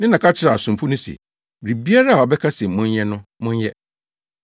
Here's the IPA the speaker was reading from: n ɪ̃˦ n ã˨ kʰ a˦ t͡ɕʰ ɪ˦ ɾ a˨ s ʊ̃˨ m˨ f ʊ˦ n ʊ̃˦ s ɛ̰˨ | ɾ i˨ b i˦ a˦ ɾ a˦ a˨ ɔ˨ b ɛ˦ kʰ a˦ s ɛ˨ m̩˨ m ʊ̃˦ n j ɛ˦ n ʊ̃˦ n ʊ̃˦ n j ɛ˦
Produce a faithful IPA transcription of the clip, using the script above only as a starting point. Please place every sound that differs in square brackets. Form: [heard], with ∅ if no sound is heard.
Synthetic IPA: n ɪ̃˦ n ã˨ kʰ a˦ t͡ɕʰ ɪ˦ ɾ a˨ s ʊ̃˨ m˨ f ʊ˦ n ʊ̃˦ s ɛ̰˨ | ɾ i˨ b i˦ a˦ ɾ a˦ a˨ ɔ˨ b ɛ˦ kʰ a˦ s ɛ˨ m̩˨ m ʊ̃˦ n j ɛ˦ n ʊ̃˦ [m] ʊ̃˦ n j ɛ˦